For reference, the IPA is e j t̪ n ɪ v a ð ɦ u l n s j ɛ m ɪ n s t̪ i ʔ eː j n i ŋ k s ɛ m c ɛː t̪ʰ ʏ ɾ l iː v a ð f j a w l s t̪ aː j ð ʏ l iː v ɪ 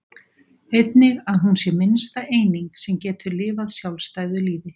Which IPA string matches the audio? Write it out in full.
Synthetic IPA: e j t̪ n ɪ ɣ a ð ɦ u n s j ɛ m ɪ n s t̪ a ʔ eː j n i ŋ k s ɛ m c ɛː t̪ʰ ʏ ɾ l ɪː v a ð s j a w l s t̪ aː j ð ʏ l iː v ɪ

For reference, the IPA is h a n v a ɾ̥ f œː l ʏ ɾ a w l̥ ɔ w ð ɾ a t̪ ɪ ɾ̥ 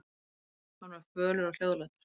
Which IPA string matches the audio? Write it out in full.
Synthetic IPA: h a n v a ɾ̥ f œː l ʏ ɾ a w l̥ o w ð l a t̪ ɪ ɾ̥

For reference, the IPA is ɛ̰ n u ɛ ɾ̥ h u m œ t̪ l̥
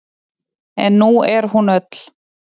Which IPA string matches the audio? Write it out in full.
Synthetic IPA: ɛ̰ nː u ɛ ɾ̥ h u n œ t̪ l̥

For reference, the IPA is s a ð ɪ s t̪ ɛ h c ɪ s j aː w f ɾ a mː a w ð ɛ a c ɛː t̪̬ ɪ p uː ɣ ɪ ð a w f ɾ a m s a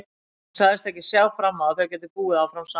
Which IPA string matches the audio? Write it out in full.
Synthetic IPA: s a ð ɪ s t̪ ɛ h c ɪ s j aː w f ɾ a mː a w θ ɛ a c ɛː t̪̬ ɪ p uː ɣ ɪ ð a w f ɾ a m s a

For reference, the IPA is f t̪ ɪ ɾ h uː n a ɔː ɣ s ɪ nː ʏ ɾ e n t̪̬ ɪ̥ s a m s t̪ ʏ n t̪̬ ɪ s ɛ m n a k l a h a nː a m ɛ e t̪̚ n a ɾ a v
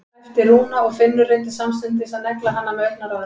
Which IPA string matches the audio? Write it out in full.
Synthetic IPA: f t̪ ɪ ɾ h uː n a ɔ ɣ f ɪ nː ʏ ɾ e n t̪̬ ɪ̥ s a m s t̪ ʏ n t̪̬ ɪ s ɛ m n ɛ k l a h a nː a m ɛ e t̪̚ n a ɾ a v

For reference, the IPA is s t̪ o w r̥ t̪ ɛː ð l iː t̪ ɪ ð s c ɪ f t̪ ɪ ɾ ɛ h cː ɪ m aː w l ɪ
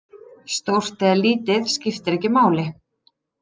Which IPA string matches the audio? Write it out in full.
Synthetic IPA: s t̪ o w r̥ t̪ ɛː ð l iː t̪ ɪ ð s c ɪ f t̪ ɪ ɾ ɛ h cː ɪ m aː w l ɪ

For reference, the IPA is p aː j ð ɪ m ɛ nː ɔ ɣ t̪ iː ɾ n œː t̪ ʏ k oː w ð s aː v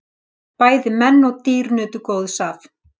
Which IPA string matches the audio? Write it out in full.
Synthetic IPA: p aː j ð ɪ m ɛ nː ɔ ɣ t̪ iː ɾ n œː t̪ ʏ k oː w ð s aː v

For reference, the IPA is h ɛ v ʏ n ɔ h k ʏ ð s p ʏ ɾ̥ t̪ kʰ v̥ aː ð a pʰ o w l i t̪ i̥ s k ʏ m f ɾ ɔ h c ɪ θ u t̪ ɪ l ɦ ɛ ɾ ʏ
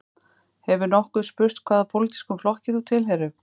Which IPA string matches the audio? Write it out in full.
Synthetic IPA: h ɛ v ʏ n ɔ h k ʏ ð s p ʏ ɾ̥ t̪ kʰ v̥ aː ð a pʰ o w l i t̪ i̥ s k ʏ m f l ɔ h c ɪ θ u t̪ʰ ɪ l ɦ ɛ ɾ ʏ

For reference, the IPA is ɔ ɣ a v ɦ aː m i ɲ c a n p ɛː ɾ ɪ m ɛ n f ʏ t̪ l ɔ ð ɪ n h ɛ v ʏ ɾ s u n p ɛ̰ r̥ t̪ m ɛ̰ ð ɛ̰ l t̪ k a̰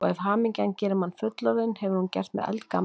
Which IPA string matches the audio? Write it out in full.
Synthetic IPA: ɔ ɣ ɛ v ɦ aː m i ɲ c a n c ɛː ɾ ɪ m a n f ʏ t̪ l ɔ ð ɪ n h ɛ v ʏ ɾ h u n c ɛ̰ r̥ t̪ m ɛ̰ ð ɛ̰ l t̪ k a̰

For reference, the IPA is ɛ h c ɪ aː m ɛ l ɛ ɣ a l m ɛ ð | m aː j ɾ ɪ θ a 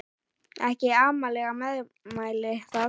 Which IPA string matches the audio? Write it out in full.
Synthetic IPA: ɛ h c ɪ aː m a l ɛ ɣ a m ɛ ð | m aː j l ɪ θ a

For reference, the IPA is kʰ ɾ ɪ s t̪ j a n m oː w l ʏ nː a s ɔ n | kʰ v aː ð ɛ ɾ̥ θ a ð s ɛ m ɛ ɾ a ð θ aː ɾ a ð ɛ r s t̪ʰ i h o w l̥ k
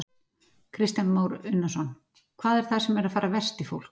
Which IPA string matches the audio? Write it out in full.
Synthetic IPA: kʰ ɾ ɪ s t̪ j a n m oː w ɾ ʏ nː a s ɔ n | kʰ v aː ð ɛ ɾ̥ θ a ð s ɛ m ɛ ɾ a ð f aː ɾ a v ɛ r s t̪ i f o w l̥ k

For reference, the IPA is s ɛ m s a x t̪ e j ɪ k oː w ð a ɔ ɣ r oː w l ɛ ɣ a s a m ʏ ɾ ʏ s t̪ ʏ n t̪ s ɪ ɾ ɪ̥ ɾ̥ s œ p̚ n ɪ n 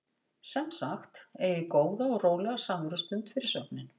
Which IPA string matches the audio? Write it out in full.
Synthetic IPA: s ɛ m s a x t̪ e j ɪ k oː w ð a ɔ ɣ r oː w l ɛ ɣ a s a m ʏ ɾ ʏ s t̪ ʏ n t̪ f ɪ ɾ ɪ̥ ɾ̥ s œ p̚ n ɪ n

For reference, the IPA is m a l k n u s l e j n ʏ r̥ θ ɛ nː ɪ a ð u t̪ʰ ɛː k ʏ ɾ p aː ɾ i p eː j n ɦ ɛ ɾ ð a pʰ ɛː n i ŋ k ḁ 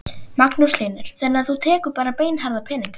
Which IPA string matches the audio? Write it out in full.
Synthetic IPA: m a k n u s l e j n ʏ ɾ̥ θ ɛ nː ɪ a θ u t̪ʰ ɛː k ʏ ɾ p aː ɾ a p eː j n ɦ a ɾ ð a pʰ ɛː n i ŋ k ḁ

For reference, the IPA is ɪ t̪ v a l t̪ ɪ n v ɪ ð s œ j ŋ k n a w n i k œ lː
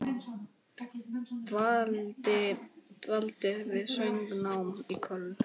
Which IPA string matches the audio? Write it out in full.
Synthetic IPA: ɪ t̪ v a l t̪ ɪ v ɪ ð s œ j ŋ k n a w m i kʰ œ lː

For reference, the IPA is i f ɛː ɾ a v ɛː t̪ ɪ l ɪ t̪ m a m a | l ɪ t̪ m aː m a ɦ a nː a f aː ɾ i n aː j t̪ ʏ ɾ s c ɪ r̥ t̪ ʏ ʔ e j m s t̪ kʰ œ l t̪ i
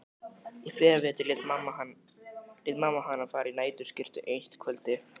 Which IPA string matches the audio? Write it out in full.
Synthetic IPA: i f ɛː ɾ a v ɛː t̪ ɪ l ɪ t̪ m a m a | l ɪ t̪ m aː m a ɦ a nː a f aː ɾ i n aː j t̪ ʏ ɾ s c ɪ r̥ t̪ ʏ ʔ e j n s t̪ kʰ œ l t̪ ɪ

